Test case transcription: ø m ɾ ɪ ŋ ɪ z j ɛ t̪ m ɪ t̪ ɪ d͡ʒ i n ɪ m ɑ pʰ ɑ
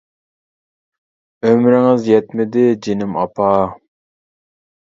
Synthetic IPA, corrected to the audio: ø m ɾ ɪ ŋ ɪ z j ɛ t̪ m ɪ d̪ ɪ d͡ʒ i n ɪ m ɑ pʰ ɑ